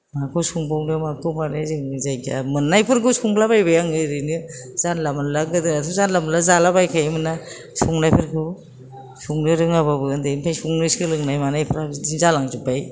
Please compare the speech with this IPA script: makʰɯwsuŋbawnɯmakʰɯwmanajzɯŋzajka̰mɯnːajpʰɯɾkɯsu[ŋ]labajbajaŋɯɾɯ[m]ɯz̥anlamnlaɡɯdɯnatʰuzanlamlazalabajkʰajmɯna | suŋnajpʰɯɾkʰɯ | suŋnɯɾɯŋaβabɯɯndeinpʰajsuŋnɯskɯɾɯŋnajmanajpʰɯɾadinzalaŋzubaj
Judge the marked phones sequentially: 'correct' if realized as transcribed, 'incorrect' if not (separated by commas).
correct, incorrect